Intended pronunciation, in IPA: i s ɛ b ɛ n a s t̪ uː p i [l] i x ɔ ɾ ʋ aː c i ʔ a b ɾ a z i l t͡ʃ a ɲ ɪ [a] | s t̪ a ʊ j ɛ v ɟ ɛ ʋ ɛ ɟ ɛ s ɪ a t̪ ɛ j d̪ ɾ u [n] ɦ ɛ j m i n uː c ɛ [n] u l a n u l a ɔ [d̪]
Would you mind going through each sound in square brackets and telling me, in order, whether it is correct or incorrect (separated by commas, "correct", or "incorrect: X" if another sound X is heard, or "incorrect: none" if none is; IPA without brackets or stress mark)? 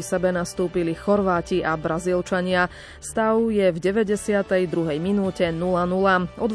correct, correct, incorrect: none, correct, correct